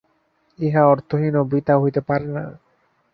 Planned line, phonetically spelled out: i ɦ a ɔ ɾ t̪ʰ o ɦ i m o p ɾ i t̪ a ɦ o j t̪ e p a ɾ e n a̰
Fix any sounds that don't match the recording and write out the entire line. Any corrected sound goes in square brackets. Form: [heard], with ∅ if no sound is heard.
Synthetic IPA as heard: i ɦ a ɔ ɾ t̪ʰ o ɦ i [n] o [b] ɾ i t̪ a ɦ o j t̪ e p a ɾ e n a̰